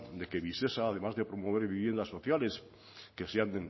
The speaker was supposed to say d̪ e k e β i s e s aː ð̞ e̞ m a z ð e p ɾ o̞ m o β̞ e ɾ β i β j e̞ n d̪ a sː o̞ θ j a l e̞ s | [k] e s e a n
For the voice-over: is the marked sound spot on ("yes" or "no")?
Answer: yes